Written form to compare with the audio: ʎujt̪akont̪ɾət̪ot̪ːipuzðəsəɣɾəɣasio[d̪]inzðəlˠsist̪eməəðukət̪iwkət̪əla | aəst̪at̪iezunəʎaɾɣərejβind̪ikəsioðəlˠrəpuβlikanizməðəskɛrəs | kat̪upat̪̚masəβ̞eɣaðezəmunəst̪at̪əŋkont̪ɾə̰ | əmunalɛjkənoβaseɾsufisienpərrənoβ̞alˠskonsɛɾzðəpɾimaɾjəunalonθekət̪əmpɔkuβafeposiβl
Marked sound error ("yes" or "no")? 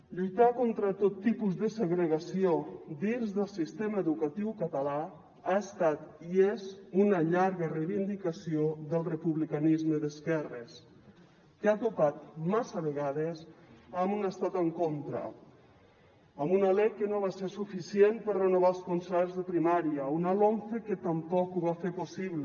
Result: no